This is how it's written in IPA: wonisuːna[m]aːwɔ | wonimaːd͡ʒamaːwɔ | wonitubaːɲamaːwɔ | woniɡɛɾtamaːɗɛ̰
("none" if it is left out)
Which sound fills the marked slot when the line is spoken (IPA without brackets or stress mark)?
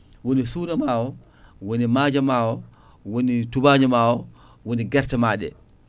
m